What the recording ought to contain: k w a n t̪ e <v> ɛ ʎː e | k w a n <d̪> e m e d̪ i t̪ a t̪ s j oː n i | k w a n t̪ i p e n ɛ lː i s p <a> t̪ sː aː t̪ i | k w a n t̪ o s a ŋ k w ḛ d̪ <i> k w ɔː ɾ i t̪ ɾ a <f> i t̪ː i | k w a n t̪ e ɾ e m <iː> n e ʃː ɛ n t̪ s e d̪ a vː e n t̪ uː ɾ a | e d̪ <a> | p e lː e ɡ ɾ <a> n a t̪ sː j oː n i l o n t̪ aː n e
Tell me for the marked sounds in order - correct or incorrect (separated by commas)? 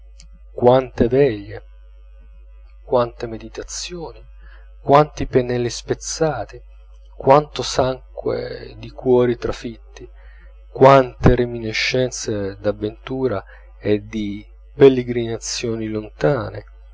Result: correct, incorrect, incorrect, correct, correct, incorrect, incorrect, incorrect